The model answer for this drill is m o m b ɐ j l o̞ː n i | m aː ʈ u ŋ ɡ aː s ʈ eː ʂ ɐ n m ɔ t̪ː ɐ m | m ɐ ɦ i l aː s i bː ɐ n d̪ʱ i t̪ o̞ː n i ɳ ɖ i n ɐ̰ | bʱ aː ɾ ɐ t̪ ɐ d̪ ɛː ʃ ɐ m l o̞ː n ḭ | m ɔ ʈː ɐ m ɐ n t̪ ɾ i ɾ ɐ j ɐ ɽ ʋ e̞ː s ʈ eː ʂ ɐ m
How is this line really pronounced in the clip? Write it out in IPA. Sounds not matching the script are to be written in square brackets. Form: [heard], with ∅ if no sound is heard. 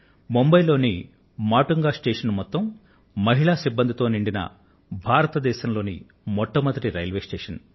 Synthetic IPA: m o m b ɐ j l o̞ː n i | m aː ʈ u ŋ ɡ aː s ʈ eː ʂ ɐ n m ɔ t̪ː ɐ m | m ɐ ɦ i [ɭ] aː s i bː ɐ n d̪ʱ i t̪ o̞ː n i ɳ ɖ i n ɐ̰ | bʱ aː ɾ ɐ t̪ ɐ d̪ ɛː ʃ ɐ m l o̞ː n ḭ | m ɔ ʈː ɐ m ɐ n t̪ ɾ i ɾ ɐ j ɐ [l] ʋ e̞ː s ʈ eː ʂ ɐ [n]